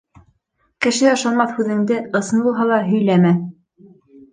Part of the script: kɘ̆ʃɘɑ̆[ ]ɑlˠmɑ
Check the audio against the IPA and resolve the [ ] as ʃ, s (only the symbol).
ʃ